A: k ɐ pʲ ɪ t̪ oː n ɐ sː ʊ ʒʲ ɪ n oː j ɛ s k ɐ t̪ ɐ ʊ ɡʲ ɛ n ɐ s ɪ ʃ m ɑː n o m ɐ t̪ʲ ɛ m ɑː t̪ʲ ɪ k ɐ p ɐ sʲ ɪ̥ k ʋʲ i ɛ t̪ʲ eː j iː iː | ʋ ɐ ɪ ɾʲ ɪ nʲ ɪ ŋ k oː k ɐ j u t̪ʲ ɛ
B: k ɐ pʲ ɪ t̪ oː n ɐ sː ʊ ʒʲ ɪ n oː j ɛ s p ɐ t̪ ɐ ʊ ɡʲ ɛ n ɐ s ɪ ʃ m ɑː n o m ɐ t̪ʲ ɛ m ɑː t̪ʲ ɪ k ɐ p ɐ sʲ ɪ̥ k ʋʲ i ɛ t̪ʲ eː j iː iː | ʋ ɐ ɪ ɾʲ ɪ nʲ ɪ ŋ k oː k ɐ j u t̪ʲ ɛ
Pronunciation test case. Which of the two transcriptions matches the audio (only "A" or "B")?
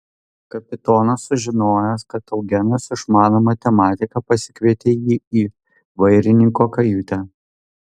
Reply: A